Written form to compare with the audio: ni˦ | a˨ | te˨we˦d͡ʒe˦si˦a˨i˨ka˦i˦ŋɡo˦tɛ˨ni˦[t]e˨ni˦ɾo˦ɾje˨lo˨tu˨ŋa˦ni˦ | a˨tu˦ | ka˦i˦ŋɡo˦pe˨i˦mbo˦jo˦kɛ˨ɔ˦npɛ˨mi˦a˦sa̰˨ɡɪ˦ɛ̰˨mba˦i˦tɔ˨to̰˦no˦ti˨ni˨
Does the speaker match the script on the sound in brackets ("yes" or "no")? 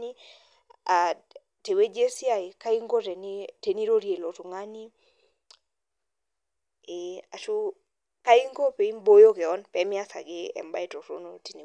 yes